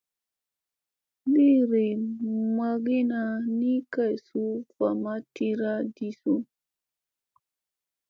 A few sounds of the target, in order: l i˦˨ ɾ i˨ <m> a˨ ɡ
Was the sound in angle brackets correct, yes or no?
yes